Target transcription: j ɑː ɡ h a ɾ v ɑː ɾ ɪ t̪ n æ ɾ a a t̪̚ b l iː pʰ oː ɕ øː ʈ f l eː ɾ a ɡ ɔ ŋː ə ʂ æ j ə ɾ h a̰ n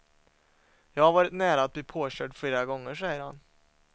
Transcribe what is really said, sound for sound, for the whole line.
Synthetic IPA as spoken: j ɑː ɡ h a ɾ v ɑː ɾ ɪ t̪ n æː ɾ a a t̪̚ b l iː pʰ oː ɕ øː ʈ f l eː ɾ a ɡ ɔ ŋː ə ʂ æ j ə ɾ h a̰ n